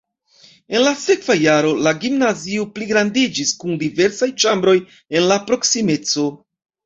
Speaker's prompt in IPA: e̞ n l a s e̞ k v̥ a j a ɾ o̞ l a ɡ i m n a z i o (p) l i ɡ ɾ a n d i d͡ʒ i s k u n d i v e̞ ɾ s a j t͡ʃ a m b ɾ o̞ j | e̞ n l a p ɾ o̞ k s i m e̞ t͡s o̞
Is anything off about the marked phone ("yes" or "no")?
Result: no